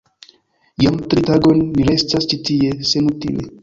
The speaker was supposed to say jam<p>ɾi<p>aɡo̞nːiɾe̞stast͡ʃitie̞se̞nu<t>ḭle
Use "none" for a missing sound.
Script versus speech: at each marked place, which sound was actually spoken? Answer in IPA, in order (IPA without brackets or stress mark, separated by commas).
t, t, t